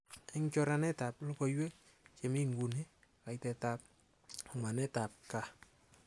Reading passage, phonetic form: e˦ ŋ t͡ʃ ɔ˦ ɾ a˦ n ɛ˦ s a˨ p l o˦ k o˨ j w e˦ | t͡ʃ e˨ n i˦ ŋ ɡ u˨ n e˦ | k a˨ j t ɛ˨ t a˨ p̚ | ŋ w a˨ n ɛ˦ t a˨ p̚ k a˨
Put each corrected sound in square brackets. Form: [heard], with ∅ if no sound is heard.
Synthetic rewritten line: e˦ ŋ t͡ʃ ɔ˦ ɾ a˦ n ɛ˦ [t] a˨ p l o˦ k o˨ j w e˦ | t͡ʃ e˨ [m] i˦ ŋ ɡ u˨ n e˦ | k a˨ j t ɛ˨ t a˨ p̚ | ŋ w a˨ n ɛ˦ t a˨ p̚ k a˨